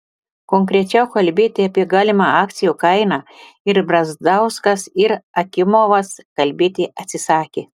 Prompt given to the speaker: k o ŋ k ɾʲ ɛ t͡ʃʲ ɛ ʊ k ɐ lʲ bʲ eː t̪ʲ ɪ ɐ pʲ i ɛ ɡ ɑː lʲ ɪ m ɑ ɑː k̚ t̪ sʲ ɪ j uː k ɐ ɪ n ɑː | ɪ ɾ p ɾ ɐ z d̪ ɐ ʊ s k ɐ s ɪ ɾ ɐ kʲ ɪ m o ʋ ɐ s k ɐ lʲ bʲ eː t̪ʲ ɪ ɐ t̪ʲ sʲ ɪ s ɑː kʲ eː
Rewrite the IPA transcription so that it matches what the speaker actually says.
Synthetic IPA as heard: k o ŋ k ɾʲ ɛ t͡ʃʲ ɛ ʊ k ɐ lʲ bʲ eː t̪ʲ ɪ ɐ pʲ i ɛ ɡ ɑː lʲ ɪ m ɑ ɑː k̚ t̪ sʲ ɪ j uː k ɐ ɪ n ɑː | ɪ ɾ b ɾ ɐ z d̪ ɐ ʊ s k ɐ s ɪ ɾ ɐ kʲ ɪ m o ʋ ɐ s k ɐ lʲ bʲ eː t̪ʲ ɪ ɐ t̪ʲ sʲ ɪ s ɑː kʲ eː